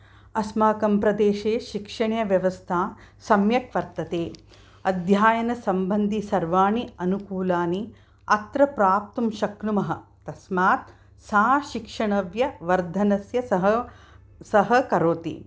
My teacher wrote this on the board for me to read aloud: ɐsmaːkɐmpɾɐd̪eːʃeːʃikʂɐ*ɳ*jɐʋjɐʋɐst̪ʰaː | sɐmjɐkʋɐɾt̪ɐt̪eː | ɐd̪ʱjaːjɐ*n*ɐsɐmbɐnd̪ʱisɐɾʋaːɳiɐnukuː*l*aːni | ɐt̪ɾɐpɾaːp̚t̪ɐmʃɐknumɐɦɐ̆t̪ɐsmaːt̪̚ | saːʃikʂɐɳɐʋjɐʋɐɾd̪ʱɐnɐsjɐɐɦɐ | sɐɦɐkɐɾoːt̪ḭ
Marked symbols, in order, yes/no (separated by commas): yes, yes, yes